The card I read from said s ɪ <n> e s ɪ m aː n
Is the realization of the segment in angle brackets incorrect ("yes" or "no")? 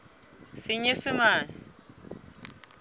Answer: yes